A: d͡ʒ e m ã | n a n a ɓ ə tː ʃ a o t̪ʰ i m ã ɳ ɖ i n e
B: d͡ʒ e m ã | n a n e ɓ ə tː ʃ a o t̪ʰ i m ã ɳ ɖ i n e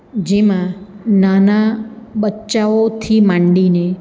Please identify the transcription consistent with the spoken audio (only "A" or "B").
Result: A